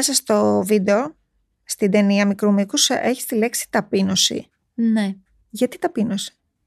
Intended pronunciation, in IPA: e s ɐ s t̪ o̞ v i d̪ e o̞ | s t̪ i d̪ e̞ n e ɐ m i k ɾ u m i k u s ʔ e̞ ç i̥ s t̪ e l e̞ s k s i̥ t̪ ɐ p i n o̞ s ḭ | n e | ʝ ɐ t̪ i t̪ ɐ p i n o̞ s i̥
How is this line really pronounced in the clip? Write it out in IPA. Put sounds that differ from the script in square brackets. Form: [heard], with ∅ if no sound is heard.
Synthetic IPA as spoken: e s ɐ s t̪ o̞ v i d̪ e o̞ | s t̪ i d̪ e̞ n [i] ɐ m i k ɾ u m i k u s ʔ e̞ ç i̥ s t̪ [i] l e̞ [∅] k s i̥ t̪ ɐ p i n o̞ s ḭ | n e | ʝ ɐ t̪ i t̪ ɐ p i n o̞ s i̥